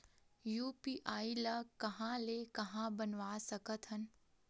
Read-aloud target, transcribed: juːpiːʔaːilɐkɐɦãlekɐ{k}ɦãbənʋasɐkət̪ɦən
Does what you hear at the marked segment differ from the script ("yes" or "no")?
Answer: yes